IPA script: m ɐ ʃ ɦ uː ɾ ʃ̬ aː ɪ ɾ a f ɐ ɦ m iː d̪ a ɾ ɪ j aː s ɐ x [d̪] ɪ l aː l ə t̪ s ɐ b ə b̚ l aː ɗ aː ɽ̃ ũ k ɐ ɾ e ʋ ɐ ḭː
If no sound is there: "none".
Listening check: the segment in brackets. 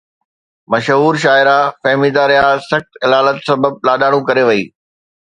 t̪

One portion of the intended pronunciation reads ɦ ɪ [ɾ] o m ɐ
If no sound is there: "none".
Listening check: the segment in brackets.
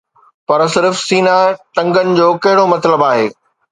ɽ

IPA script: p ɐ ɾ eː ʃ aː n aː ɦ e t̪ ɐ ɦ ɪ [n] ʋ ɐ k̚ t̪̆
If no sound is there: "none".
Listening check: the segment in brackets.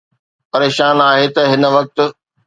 n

